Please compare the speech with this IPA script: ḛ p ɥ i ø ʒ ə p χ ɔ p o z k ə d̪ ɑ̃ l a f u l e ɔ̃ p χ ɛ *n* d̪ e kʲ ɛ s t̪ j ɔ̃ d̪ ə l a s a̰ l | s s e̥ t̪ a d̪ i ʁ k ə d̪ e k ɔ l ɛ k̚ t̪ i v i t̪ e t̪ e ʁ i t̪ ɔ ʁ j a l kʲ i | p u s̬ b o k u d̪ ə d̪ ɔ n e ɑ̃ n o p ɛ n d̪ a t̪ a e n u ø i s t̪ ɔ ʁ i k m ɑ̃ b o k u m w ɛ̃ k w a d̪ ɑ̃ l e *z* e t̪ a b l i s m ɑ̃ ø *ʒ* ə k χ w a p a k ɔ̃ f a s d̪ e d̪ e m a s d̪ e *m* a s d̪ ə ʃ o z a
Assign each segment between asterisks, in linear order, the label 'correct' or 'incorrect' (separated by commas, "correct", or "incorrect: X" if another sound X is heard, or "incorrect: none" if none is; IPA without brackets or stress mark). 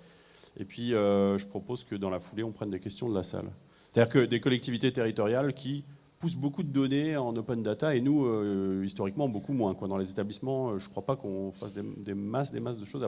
correct, correct, correct, correct